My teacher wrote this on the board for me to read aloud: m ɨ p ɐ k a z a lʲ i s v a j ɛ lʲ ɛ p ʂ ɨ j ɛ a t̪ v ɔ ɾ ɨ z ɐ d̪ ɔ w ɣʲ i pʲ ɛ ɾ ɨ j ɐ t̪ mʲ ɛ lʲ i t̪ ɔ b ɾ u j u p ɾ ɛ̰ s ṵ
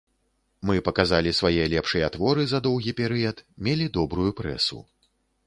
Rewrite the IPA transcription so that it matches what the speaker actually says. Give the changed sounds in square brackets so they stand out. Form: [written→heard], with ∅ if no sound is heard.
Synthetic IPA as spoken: m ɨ p ɐ k a z a lʲ i s v a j ɛ lʲ ɛ p ʂ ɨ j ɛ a t̪ v ɔ ɾ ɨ z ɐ d̪ ɔ w ɣʲ i pʲ ɛ ɾ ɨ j ɐ t̪ mʲ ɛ lʲ i [t̪→d̪] ɔ b ɾ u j u p ɾ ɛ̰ s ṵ